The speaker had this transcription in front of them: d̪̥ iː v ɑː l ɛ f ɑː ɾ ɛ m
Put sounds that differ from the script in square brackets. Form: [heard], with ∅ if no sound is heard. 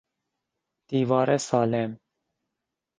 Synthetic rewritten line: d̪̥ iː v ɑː [ɾ] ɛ [s] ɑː [l] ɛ m